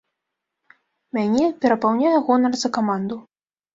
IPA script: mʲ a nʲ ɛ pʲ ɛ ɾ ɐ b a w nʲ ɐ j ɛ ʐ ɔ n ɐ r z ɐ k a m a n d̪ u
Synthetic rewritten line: mʲ a nʲ ɛ pʲ ɛ ɾ ɐ p a w nʲ a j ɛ ɣ ɔ n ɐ r z ɐ k a m a n d̪ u